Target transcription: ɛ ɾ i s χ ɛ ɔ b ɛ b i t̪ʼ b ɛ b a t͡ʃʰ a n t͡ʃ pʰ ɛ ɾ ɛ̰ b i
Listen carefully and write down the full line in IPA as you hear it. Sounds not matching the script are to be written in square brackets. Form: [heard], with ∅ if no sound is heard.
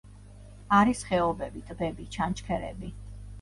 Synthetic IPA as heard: [a] ɾ i s χ ɛ ɔ b ɛ b i t̪ʼ b ɛ b [i] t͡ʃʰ a n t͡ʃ [kʰ] ɛ ɾ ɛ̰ b i